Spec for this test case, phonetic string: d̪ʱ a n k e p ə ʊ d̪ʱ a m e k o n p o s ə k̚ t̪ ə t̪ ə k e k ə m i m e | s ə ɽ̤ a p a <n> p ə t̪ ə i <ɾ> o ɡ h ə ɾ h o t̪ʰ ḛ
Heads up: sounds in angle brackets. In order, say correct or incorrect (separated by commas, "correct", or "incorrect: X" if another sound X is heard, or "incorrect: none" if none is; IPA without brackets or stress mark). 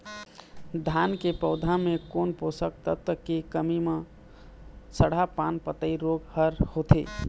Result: correct, correct